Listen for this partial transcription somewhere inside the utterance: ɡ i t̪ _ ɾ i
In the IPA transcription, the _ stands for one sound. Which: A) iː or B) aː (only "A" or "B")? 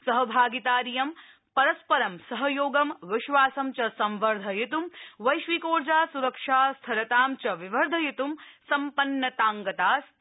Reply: B